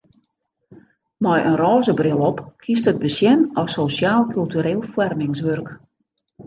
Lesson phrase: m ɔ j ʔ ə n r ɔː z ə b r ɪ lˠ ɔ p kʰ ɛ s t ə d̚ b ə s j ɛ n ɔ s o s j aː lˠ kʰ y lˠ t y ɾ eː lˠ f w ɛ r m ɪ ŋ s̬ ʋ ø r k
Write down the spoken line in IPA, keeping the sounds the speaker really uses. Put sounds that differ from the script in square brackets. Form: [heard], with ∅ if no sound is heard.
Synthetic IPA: m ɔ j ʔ ə n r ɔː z ə b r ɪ lˠ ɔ p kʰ [i] s t ə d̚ b ə s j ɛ n ɔ s o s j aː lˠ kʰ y lˠ t y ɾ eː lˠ f w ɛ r m ɪ ŋ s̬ ʋ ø r k